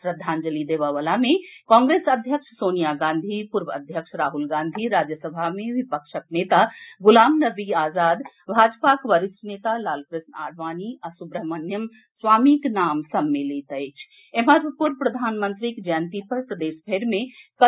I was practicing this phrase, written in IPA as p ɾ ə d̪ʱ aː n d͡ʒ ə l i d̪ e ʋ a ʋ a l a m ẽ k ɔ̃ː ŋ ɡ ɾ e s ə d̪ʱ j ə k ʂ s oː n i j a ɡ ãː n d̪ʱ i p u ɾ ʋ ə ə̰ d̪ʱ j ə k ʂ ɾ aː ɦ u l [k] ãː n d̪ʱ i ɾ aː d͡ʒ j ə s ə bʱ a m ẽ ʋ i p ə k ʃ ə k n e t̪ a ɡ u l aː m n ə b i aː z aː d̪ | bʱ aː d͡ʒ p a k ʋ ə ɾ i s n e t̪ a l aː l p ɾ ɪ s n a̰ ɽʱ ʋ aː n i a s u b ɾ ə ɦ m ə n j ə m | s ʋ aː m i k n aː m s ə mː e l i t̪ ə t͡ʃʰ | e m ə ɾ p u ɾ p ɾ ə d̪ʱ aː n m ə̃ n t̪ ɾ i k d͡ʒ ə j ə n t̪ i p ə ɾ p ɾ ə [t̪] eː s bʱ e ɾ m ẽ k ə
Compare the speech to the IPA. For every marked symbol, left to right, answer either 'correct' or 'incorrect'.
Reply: incorrect, incorrect

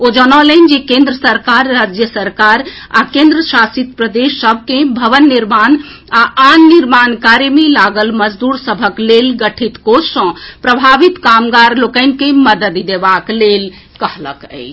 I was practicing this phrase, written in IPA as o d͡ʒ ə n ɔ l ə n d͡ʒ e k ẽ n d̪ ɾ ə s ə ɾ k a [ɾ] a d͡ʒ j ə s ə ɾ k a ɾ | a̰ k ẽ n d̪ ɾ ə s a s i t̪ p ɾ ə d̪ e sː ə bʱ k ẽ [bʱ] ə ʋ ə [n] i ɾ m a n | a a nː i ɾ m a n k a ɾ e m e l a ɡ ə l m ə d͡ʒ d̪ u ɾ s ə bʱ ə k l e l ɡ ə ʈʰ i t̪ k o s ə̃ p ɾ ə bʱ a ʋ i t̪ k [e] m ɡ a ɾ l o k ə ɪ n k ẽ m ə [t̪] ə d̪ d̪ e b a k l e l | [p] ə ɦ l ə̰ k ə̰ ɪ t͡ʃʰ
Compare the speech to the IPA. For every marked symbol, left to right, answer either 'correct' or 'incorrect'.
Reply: incorrect, correct, incorrect, incorrect, incorrect, incorrect

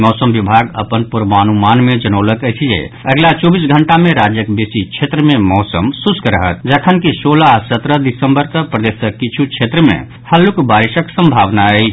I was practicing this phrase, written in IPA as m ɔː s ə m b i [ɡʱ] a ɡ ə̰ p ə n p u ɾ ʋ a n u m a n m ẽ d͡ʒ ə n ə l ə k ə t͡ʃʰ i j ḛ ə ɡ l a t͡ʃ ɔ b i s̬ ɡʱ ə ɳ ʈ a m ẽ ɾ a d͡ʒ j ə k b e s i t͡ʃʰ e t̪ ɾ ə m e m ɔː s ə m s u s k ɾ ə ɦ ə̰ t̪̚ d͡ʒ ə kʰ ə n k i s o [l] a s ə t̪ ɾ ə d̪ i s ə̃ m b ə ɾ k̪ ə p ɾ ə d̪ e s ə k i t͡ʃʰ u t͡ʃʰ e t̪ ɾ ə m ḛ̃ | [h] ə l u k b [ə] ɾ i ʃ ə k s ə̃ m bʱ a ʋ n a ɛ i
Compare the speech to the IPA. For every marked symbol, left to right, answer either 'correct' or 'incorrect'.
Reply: incorrect, correct, correct, incorrect

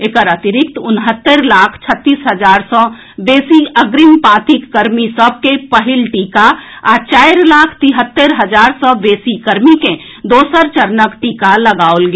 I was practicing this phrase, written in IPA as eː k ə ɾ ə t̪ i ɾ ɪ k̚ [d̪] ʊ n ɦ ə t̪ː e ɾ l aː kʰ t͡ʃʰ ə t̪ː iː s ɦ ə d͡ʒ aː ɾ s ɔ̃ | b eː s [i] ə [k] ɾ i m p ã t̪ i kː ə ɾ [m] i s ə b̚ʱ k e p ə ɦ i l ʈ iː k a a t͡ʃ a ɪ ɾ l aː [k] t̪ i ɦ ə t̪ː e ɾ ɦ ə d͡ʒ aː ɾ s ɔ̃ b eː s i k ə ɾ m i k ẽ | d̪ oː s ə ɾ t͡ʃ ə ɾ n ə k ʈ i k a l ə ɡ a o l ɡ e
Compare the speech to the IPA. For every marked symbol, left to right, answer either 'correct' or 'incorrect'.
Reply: incorrect, correct, incorrect, correct, incorrect

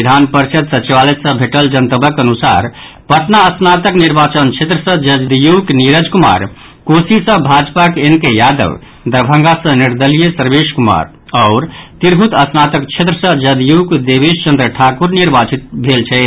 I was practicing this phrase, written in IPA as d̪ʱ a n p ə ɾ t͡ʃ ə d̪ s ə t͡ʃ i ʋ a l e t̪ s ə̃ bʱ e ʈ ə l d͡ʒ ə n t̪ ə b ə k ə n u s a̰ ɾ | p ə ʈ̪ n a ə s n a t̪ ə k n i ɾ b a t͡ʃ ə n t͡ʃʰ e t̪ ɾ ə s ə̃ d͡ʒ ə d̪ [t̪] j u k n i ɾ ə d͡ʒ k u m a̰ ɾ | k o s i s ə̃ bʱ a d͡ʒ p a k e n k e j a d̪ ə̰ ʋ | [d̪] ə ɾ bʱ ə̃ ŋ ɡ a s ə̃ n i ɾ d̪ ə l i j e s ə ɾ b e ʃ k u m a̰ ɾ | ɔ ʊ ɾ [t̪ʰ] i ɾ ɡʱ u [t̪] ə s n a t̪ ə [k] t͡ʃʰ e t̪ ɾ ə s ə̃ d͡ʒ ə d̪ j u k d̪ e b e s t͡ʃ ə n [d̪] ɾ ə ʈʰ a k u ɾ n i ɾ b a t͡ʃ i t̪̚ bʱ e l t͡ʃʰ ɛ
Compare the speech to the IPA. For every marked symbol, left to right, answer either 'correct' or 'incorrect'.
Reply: incorrect, correct, incorrect, correct, correct, correct

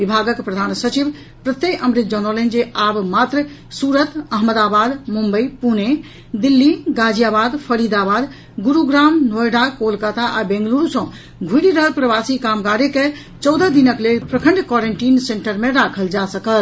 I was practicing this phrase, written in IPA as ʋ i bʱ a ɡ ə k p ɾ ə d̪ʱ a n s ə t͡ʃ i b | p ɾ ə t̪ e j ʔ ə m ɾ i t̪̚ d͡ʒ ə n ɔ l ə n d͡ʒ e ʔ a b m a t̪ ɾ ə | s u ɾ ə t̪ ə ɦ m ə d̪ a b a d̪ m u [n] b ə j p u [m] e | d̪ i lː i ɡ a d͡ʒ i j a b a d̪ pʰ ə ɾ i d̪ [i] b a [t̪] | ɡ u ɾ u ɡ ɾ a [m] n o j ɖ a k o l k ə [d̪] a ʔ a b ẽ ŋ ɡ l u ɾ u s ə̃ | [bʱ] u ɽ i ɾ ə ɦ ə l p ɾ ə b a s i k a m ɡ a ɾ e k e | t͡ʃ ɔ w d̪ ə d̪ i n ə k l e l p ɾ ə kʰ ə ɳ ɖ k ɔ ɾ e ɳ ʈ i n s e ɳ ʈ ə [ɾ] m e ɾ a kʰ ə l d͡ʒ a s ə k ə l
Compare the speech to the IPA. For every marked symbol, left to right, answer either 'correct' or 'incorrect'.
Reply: incorrect, incorrect, incorrect, incorrect, correct, incorrect, incorrect, correct

